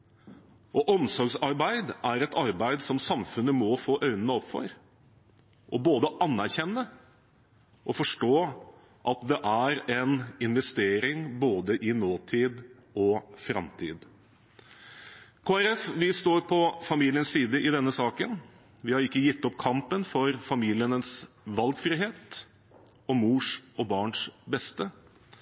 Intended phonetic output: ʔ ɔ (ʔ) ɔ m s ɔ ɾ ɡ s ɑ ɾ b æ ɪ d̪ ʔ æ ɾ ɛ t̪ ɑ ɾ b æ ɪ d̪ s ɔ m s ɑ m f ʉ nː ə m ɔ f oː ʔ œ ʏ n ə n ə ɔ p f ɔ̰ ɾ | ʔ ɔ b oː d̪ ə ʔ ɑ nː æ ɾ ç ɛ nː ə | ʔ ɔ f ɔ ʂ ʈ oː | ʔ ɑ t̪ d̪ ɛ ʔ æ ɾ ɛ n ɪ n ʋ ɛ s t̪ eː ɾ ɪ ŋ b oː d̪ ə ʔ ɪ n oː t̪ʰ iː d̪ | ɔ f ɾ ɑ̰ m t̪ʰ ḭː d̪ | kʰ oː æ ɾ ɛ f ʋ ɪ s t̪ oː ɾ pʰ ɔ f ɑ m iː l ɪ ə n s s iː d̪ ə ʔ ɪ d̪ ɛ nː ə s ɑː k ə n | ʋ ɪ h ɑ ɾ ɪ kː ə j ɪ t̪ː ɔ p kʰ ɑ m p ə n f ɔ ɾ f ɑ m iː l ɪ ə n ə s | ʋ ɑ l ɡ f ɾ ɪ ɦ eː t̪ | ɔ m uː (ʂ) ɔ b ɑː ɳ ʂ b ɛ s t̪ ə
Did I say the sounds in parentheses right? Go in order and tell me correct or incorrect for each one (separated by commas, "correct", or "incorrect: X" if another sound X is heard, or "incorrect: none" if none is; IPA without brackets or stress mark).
correct, correct